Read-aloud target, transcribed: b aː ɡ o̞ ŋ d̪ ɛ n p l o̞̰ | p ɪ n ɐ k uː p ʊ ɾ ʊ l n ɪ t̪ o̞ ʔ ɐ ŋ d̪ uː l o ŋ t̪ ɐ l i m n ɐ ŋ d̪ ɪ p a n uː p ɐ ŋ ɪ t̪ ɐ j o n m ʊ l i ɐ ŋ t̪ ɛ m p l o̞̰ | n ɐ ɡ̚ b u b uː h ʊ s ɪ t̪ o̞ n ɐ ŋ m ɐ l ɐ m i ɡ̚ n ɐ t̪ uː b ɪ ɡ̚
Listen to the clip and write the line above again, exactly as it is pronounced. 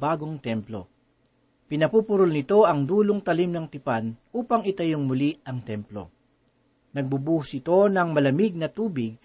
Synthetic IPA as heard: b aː ɡ o̞ ŋ t̪ ɛ m p l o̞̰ | p ɪ n ɐ p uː p ʊ ɾ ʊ l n ɪ t̪ o̞ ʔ ɐ ŋ d̪ uː l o ŋ t̪ ɐ l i m n ɐ ŋ t̪ ɪ p a n uː p ɐ ŋ ɪ t̪ ɐ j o ŋ m ʊ l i ɐ ŋ t̪ ɛ m p l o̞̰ | n ɐ ɡ̚ b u b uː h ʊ s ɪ t̪ o̞ n ɐ ŋ m ɐ l ɐ m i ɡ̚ n ɐ t̪ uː b ɪ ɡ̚